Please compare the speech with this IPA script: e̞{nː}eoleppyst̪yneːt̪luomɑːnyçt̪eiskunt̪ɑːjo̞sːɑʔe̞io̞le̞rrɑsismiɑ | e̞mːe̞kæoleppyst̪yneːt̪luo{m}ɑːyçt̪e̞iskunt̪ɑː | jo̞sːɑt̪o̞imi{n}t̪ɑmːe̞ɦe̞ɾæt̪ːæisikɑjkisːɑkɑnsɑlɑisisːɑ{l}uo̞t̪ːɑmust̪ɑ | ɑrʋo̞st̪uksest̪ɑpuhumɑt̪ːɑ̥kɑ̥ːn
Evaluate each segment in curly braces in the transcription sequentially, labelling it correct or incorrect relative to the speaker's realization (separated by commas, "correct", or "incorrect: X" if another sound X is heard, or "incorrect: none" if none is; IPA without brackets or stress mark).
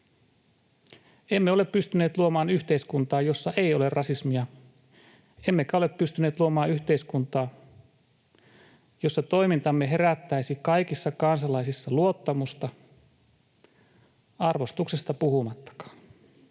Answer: incorrect: mː, correct, correct, correct